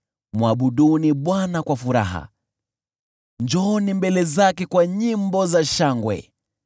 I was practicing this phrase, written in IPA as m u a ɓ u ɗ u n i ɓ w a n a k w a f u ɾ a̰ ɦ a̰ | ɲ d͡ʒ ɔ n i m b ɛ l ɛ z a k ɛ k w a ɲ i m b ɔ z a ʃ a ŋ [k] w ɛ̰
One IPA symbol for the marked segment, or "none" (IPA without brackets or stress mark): ɡ